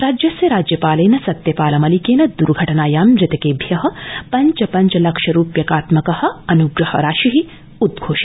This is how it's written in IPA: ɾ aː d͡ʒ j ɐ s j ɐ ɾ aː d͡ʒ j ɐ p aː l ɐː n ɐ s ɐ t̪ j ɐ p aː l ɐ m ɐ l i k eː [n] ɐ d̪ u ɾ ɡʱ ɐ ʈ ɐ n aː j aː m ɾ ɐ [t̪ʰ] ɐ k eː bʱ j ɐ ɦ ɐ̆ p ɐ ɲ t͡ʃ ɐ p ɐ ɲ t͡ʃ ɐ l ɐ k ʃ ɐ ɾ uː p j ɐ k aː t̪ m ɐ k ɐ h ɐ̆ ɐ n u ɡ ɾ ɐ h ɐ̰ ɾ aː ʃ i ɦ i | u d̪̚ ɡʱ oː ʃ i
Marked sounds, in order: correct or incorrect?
correct, incorrect

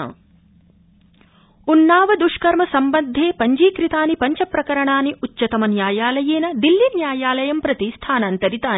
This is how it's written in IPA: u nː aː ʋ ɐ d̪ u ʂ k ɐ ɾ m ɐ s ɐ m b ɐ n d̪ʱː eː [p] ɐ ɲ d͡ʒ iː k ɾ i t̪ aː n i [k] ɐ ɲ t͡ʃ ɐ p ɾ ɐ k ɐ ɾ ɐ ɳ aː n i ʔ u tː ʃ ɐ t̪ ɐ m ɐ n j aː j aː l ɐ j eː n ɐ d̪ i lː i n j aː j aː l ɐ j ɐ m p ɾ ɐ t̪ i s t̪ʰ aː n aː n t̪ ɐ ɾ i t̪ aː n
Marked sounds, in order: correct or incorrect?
correct, incorrect

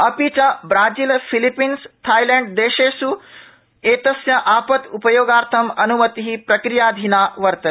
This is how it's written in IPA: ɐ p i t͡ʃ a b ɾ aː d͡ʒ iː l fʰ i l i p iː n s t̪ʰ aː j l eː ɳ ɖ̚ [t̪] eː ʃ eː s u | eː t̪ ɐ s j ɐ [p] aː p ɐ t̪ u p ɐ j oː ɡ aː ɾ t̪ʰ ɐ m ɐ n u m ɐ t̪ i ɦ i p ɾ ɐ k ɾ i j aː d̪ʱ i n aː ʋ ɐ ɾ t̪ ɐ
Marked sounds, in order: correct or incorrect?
incorrect, incorrect

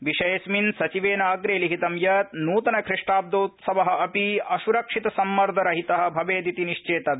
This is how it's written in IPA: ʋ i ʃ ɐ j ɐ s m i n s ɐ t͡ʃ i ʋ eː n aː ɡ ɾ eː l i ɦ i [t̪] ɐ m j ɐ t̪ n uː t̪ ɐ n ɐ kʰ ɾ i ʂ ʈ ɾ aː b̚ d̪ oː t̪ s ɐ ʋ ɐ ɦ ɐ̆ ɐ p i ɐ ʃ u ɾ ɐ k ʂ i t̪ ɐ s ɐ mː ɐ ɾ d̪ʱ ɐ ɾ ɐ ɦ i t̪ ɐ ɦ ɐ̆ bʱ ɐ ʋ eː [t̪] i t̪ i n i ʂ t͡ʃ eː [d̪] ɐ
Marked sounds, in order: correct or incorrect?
correct, incorrect, incorrect

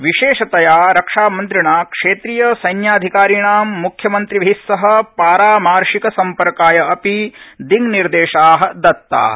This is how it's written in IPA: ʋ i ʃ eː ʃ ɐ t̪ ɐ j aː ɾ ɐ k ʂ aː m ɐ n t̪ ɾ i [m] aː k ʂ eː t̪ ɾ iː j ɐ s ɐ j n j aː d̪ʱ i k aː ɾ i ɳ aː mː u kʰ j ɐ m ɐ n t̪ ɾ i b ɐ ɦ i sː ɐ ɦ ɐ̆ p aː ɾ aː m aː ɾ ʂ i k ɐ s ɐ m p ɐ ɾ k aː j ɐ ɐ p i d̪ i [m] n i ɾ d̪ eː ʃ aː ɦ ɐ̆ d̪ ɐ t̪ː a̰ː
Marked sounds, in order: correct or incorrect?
incorrect, incorrect

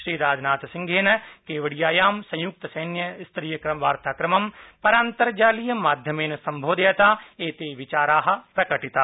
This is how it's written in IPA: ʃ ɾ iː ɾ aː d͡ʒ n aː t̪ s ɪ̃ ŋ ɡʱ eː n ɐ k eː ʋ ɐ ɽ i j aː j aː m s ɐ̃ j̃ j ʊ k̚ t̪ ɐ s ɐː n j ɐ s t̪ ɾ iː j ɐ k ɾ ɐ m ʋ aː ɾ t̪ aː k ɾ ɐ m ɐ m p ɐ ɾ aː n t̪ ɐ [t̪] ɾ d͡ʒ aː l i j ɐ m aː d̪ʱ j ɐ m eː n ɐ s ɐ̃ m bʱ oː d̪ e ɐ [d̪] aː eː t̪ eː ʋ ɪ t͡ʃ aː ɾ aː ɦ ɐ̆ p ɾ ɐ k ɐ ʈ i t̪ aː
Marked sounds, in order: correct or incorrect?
incorrect, incorrect

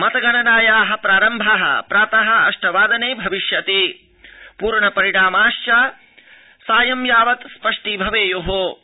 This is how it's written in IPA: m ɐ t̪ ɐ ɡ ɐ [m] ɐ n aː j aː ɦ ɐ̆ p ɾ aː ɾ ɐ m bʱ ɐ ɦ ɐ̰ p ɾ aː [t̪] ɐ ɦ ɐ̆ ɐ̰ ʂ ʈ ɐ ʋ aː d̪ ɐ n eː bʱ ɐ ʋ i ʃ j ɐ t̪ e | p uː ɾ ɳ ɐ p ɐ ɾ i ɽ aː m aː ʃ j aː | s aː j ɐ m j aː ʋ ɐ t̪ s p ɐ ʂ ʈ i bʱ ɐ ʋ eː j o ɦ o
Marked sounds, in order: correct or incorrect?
incorrect, correct

